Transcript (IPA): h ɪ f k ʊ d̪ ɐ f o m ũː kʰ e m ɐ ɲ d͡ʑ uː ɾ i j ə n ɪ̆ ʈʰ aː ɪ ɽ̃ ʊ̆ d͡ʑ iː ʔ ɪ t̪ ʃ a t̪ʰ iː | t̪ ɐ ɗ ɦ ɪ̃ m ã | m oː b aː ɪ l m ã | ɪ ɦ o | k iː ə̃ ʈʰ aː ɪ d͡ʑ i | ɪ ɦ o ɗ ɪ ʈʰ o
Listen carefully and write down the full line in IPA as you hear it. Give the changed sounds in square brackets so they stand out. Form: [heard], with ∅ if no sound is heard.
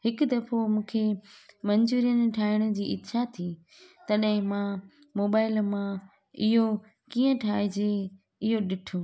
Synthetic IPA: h ɪ [∅] k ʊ d̪ ɐ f o m ũː kʰ e m ɐ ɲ d͡ʑ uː ɾ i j ə n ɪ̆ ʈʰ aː ɪ ɽ̃ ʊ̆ d͡ʑ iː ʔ ɪ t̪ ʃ a t̪ʰ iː | t̪ ɐ ɗ ɦ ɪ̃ m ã | m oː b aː ɪ l m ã | ɪ ɦ o | k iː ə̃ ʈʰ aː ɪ d͡ʑ [e] | ɪ ɦ o ɗ ɪ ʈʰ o